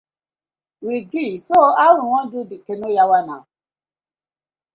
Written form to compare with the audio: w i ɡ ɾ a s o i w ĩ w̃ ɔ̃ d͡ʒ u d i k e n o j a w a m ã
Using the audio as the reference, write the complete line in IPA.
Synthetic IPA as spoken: w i ɡ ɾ i s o a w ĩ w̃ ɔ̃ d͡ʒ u d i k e n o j a w a n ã